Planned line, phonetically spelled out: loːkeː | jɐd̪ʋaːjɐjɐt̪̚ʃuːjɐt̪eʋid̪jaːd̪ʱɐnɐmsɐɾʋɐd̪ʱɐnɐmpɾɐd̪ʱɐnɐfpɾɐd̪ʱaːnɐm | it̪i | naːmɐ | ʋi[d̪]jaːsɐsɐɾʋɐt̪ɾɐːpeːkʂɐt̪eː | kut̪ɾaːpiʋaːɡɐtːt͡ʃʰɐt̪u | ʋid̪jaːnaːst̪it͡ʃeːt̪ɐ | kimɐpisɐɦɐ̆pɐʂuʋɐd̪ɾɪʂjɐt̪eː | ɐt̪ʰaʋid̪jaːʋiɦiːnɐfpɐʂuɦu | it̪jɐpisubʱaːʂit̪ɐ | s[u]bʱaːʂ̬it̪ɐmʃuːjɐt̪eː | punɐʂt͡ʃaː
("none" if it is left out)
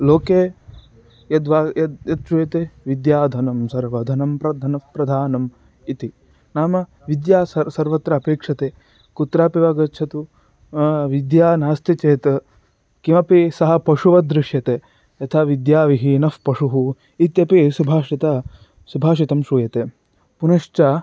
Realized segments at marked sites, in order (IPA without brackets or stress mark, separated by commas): d̪, u